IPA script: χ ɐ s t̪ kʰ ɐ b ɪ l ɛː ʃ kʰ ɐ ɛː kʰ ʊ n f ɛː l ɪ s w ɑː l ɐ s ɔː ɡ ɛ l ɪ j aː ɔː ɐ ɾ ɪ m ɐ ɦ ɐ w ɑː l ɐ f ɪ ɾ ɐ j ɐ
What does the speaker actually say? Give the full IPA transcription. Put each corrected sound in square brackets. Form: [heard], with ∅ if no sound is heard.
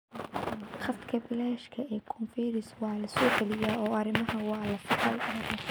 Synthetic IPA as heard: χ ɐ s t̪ kʰ ɐ b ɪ l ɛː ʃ kʰ ɐ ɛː kʰ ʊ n f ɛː [ɾ] ɪ s w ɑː l ɐ s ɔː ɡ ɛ l ɪ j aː ɔː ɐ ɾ ɪ m ɐ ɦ ɐ w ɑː l ɐ f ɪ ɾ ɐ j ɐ